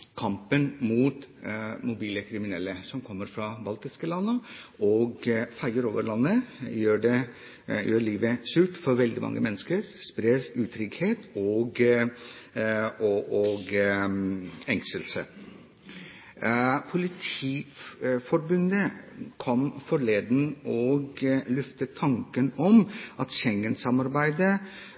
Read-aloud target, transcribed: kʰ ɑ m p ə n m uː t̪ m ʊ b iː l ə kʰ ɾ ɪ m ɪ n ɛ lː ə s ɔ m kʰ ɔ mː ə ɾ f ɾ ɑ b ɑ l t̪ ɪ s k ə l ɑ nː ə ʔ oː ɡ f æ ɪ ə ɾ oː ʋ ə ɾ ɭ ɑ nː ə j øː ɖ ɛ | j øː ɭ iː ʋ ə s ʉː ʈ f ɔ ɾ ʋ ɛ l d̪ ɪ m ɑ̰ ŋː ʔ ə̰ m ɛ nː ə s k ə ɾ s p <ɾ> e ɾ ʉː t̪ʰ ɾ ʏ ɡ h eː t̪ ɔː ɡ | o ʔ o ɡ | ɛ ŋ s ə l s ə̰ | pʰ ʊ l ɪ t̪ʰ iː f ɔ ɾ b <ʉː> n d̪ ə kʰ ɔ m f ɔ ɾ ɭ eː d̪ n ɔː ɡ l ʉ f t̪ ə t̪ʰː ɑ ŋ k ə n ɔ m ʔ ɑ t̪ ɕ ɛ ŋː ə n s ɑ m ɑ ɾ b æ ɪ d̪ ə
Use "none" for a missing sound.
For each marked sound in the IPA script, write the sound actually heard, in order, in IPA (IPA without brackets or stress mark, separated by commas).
ɾ, ʉ